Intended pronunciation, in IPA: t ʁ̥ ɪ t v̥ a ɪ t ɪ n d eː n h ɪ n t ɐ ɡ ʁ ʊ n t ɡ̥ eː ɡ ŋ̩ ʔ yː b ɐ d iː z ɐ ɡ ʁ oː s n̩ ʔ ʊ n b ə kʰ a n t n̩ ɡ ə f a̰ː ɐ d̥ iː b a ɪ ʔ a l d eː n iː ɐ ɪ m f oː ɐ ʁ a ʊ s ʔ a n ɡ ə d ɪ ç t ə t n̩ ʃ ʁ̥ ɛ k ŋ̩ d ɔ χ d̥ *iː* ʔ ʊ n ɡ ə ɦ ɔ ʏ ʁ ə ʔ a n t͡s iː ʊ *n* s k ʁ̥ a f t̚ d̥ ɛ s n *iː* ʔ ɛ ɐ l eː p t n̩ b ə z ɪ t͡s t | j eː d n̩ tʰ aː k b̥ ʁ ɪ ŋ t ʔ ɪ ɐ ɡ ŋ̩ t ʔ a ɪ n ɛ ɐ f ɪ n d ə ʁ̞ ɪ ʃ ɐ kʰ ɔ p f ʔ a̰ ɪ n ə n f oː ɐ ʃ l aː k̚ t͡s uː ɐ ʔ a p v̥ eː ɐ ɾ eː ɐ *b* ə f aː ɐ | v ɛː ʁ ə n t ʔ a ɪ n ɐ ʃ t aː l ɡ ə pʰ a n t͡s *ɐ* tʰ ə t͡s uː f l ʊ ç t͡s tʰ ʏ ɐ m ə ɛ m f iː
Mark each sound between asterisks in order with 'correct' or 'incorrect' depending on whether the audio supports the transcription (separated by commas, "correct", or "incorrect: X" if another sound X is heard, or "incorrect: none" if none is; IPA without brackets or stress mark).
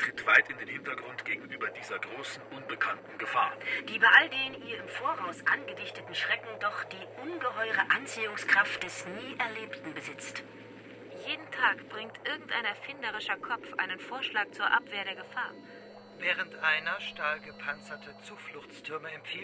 correct, incorrect: ŋ, correct, incorrect: ɡ, correct